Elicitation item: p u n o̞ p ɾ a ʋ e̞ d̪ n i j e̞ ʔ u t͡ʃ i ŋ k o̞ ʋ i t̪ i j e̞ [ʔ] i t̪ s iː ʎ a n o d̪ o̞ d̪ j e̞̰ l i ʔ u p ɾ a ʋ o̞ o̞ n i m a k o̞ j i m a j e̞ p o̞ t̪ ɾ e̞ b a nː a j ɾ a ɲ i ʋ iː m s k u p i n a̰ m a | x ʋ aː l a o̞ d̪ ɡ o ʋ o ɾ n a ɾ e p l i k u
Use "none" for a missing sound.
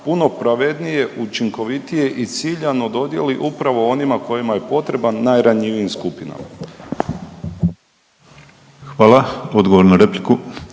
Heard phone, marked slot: ʔ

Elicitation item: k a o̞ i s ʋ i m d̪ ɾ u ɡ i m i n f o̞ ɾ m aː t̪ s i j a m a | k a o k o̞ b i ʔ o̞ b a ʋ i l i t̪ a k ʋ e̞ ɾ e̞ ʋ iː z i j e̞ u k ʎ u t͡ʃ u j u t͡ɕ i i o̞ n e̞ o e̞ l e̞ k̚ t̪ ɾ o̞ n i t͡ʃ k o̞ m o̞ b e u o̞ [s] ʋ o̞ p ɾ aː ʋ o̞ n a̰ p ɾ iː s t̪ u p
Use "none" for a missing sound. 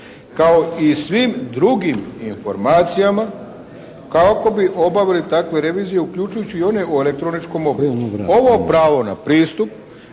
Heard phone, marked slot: none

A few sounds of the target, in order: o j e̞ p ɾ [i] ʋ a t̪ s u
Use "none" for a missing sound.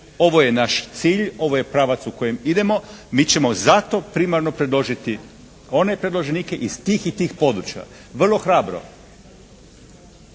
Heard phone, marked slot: a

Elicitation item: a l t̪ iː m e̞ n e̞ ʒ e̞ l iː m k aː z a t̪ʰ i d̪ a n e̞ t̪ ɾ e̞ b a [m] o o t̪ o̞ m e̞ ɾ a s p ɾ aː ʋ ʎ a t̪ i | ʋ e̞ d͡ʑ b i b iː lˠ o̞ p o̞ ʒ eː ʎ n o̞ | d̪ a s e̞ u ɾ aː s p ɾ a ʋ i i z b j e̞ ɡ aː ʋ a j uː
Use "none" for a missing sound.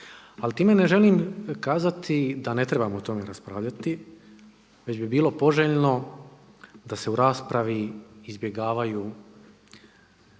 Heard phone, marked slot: m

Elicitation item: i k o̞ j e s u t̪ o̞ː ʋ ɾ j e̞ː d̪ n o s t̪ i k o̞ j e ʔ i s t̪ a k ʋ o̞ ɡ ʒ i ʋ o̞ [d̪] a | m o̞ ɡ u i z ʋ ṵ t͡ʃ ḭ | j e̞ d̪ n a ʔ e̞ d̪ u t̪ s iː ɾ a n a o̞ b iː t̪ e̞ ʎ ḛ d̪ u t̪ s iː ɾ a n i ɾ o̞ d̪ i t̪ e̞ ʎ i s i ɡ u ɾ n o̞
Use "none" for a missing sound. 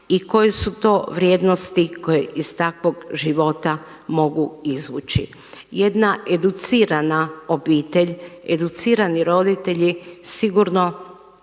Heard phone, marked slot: t̪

